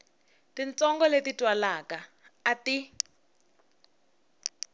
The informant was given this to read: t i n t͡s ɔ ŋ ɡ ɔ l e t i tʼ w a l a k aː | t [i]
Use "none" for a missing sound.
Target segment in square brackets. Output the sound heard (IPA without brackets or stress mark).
i